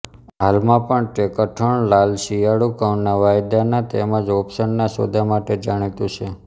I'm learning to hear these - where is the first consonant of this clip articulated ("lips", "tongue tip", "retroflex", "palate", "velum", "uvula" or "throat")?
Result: throat